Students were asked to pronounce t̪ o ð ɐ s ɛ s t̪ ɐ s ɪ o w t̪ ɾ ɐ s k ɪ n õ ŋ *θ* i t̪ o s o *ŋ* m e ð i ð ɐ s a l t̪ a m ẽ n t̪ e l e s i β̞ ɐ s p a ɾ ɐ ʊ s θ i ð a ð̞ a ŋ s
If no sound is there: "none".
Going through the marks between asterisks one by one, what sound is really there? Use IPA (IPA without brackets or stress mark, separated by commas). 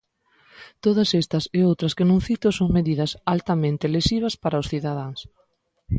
θ, ŋ